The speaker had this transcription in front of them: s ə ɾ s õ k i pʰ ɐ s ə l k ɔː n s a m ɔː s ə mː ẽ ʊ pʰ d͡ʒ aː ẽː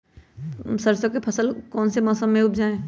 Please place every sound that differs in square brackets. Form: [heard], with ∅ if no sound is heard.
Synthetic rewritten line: s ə ɾ s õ k [e] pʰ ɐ s ə l k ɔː n s [e] m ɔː s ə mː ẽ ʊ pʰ d͡ʒ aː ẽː